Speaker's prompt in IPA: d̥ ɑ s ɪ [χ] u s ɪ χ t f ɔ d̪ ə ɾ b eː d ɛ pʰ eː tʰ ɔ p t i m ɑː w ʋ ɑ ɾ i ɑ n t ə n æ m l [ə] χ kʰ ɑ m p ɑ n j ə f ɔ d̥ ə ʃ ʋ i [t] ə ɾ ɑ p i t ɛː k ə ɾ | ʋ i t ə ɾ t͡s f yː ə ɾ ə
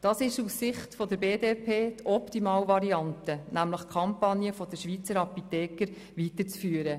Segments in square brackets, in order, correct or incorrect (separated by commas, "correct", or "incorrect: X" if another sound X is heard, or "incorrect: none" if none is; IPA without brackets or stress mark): incorrect: ʃ, correct, incorrect: t͡s